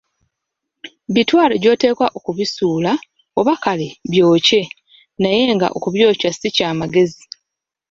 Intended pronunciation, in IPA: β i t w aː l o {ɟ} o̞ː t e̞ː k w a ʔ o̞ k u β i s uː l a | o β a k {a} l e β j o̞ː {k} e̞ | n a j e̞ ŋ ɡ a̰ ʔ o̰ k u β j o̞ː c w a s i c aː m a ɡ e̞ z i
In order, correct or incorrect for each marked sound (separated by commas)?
correct, correct, incorrect